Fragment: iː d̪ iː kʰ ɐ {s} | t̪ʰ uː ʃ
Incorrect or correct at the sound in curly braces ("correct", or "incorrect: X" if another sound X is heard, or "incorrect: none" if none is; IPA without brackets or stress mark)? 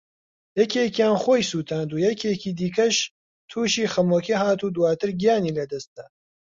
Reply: incorrect: ʃ